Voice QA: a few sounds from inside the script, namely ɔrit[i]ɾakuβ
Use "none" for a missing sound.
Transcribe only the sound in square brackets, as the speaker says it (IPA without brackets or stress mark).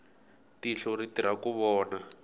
i